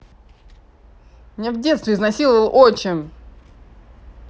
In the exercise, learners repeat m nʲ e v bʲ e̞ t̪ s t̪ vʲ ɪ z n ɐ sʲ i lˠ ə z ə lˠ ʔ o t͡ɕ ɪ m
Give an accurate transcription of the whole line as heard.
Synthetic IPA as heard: m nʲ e v dʲ e̞ t̪ s t̪ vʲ ɪ z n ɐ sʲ i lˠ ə v ə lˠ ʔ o t͡ɕ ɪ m